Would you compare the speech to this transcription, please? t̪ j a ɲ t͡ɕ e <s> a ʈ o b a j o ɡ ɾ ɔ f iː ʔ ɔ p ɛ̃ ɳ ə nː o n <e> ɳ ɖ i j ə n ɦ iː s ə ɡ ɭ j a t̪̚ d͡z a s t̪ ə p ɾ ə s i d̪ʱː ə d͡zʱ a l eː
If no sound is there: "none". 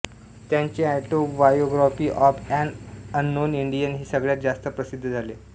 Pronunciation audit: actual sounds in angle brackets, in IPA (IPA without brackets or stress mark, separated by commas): none, i